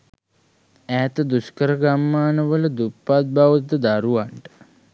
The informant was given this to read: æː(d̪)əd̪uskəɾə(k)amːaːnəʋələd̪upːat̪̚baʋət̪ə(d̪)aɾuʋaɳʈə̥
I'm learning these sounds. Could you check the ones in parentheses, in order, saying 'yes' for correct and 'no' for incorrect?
no, no, yes

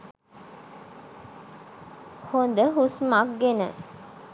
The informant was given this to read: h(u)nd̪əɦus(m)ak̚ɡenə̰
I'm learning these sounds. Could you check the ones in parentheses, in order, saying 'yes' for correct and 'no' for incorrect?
no, yes

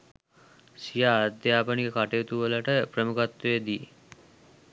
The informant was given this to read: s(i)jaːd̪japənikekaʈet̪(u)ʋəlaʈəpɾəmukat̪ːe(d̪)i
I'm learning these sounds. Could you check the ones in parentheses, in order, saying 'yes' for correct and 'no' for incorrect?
yes, yes, yes

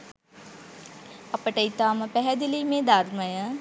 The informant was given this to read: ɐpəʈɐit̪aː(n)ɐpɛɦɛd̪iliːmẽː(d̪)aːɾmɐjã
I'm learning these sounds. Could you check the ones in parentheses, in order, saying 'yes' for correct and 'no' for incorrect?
no, yes

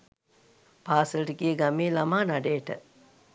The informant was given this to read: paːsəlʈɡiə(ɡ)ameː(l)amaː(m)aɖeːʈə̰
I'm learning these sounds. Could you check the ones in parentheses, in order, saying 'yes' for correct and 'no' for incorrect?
yes, yes, no

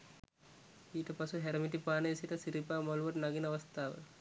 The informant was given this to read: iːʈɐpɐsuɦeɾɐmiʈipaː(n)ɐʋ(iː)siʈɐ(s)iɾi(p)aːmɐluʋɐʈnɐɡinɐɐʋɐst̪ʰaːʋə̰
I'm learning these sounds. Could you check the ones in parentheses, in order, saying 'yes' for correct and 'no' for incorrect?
yes, no, yes, yes

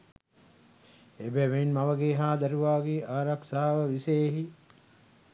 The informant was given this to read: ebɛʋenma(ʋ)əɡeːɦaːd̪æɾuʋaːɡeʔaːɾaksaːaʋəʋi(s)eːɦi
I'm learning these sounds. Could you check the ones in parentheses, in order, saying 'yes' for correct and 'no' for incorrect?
yes, yes

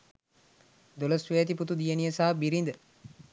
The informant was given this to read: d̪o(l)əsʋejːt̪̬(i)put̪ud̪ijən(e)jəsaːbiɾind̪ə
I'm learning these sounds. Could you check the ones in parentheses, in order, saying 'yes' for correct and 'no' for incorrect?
yes, yes, no

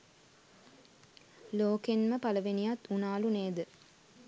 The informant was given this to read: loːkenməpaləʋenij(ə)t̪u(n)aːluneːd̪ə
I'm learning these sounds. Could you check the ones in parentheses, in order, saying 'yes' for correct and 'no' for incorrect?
no, yes

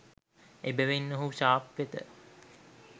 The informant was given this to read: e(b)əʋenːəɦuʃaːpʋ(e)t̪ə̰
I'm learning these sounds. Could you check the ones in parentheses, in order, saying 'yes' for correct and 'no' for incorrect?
yes, yes

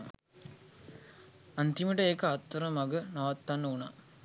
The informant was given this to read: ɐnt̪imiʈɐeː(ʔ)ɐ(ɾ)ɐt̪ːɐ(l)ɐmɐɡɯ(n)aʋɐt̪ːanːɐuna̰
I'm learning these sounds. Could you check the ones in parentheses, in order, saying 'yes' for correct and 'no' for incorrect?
no, no, no, yes

